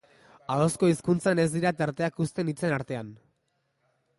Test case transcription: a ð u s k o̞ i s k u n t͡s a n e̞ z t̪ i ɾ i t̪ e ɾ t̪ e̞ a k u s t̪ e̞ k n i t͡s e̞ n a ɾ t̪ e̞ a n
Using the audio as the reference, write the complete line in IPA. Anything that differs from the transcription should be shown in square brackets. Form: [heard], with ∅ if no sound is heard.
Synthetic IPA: a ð [o] s k o̞ i s k u n t͡s a n e̞ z [d̪] i ɾ [a] t̪ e ɾ t̪ e̞ a k u s t̪ e̞ [∅] n i t͡s e̞ n a ɾ t̪ e̞ a n